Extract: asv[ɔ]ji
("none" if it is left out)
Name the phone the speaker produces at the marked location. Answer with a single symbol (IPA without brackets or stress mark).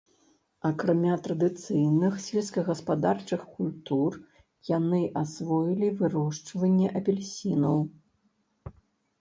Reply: ɔ